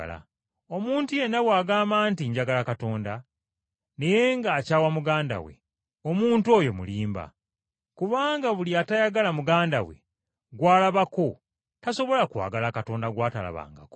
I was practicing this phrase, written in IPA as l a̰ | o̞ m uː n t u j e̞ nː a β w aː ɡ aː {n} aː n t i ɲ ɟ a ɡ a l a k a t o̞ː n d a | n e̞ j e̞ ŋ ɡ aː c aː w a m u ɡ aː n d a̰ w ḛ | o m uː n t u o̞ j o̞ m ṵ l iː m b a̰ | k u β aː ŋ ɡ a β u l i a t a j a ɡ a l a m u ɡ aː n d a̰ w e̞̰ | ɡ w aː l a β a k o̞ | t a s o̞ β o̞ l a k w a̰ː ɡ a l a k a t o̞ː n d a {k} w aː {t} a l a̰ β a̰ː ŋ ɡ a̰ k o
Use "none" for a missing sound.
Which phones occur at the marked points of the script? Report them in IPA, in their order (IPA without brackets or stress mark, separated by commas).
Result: m, ɡ, t